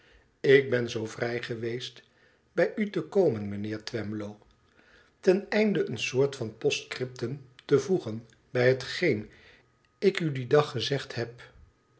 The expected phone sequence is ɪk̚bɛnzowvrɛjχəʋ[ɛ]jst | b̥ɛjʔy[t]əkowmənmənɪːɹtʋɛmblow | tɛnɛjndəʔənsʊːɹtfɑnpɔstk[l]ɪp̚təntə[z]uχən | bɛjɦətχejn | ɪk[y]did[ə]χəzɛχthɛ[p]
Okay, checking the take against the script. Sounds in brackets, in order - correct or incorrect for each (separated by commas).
incorrect, correct, incorrect, incorrect, correct, incorrect, correct